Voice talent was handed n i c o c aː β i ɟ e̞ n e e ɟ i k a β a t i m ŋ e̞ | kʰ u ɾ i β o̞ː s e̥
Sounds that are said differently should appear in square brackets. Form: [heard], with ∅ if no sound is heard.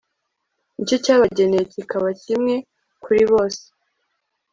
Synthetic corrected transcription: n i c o c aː β [a] ɟ e̞ n e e [c] i k a β a [c] i m ŋ e̞ | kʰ u ɾ i β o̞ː s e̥